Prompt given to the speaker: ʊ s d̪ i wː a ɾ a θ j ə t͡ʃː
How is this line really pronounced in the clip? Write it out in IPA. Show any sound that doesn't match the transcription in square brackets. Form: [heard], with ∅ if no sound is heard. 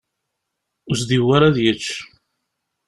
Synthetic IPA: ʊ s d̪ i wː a ɾ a [ð] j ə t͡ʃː